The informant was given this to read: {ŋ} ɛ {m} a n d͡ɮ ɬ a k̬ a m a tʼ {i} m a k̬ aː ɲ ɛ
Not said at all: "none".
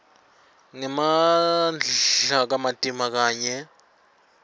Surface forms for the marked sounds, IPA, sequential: ŋ, m, i

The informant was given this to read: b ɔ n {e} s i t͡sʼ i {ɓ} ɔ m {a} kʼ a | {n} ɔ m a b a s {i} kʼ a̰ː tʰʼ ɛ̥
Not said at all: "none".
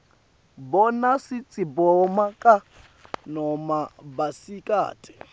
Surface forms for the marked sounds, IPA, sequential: a, b, a, n, i

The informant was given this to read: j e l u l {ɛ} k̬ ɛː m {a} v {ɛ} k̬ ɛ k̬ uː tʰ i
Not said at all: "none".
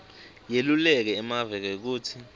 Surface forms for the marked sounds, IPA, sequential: ɛ, a, ɛ

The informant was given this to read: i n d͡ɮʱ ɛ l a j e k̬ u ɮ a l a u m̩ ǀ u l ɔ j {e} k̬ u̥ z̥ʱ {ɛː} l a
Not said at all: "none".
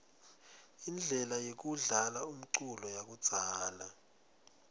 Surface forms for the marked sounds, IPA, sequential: a, aː

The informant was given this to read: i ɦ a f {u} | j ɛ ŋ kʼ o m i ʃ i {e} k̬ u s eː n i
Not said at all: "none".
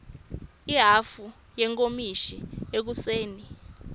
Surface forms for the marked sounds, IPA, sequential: u, e

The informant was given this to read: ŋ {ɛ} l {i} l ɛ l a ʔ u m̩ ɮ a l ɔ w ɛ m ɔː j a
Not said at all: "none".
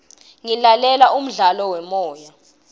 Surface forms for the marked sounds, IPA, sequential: i, a

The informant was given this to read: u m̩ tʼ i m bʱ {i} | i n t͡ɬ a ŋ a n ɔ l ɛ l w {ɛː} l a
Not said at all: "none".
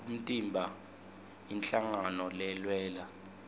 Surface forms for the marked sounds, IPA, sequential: a, ɛː

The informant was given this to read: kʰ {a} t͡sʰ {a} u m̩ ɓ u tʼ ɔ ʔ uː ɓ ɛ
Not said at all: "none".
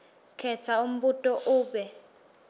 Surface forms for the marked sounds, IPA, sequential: ɛ, a

